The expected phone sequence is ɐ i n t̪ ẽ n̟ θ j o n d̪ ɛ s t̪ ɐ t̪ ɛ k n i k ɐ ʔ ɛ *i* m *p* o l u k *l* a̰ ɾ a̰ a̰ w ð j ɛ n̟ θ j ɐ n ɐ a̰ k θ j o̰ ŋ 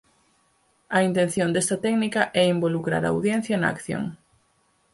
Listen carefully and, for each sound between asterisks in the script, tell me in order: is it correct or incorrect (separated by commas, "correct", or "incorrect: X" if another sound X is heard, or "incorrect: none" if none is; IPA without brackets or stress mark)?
correct, incorrect: b, incorrect: ɾ